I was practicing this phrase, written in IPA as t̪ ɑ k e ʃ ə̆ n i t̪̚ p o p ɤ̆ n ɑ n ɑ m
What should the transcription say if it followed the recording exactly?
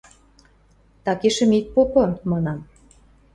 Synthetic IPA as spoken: t̪ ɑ k e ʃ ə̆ m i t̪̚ p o p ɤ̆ m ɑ n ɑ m